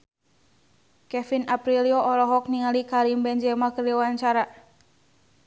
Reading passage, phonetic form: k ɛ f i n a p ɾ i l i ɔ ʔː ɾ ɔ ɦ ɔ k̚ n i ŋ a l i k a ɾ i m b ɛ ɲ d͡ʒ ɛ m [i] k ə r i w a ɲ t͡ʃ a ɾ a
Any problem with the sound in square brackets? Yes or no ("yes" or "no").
yes